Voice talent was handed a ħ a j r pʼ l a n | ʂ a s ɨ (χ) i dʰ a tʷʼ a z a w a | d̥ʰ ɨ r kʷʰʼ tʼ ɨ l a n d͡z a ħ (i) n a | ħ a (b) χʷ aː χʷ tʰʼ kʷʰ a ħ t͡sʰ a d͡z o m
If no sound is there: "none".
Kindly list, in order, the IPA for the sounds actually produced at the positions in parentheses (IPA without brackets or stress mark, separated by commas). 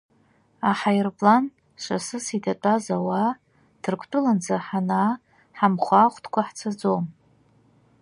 s, a, m